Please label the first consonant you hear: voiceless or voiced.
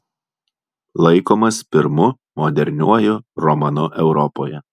voiced